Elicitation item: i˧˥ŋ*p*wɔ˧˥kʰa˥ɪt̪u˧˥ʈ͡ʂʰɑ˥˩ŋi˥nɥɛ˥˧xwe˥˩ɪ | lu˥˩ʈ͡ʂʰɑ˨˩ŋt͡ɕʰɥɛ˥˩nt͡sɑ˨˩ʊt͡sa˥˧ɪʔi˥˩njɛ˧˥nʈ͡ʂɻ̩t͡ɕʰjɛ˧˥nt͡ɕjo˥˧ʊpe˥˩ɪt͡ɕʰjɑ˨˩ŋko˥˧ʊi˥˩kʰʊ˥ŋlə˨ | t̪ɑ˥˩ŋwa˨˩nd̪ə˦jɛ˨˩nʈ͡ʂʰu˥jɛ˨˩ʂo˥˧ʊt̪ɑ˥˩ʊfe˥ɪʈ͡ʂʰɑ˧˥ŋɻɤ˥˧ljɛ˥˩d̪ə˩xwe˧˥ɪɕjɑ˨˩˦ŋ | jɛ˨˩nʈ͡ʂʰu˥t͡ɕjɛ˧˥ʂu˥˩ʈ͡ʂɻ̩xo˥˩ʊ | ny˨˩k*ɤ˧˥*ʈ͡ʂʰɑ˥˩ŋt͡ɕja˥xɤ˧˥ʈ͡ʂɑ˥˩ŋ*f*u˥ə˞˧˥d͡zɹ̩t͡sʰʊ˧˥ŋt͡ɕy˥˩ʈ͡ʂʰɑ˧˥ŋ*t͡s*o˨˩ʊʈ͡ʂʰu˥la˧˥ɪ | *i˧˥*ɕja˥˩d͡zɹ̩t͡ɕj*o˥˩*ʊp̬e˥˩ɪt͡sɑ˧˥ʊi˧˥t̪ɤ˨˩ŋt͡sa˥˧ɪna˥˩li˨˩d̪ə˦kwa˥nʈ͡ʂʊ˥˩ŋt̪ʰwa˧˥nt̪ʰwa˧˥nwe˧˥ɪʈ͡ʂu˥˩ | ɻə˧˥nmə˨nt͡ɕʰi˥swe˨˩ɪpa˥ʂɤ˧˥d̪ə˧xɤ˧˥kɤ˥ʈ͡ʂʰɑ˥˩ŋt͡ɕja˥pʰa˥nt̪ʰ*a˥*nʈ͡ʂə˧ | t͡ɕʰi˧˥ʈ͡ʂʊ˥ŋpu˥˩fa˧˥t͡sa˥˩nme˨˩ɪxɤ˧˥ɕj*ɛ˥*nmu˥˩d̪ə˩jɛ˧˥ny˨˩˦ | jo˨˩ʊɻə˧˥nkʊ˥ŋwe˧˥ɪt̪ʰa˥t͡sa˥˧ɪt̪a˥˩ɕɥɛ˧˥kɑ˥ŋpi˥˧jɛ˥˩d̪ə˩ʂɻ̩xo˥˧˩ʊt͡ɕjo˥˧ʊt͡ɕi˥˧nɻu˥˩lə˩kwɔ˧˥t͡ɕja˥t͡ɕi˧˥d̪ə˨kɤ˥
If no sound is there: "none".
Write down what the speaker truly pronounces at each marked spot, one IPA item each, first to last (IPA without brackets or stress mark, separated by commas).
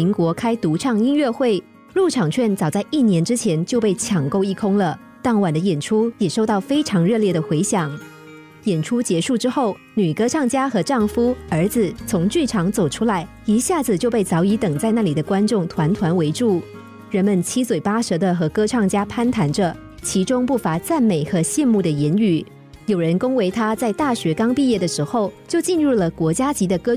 k, ɤ˥, f, t͡s, i˧˥, o˥˧, a˧˥, ɛ˥˧